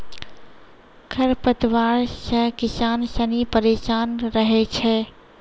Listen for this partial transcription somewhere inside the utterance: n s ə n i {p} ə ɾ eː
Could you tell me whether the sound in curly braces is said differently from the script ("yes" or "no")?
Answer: no